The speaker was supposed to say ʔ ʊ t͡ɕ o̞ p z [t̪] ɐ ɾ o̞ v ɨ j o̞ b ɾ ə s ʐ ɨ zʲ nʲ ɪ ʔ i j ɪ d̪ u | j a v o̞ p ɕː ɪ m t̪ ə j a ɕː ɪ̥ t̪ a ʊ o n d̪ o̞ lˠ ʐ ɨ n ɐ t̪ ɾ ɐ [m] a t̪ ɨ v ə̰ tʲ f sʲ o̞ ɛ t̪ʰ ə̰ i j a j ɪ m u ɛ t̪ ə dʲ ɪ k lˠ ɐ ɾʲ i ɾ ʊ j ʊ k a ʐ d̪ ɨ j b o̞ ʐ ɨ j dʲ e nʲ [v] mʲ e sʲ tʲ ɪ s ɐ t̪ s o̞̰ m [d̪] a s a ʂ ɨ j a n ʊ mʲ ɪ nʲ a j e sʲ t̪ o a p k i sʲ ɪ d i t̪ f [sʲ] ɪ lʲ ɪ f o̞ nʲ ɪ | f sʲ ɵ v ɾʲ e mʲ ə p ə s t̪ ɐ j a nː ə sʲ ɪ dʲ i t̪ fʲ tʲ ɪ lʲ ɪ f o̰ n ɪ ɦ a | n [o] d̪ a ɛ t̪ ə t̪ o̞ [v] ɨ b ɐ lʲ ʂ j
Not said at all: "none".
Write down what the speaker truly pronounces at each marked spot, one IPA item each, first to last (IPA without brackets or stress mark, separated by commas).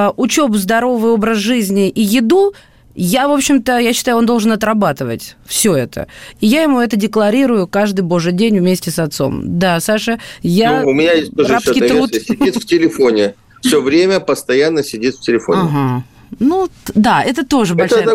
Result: d̪, b, v, d̪, tʲ, u, ʐ